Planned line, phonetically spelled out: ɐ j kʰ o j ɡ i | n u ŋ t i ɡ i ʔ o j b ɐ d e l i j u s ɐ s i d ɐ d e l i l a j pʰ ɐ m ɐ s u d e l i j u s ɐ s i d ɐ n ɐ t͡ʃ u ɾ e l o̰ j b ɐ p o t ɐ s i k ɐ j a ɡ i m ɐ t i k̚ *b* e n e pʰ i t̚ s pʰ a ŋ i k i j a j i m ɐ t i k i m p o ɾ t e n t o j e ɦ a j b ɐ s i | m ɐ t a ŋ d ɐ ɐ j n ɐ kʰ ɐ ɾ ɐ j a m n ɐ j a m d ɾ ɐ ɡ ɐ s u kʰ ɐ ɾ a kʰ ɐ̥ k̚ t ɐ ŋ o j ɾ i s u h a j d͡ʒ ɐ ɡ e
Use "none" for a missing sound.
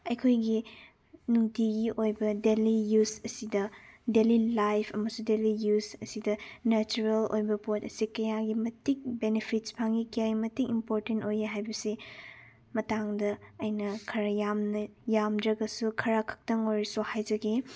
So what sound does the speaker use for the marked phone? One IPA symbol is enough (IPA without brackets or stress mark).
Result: b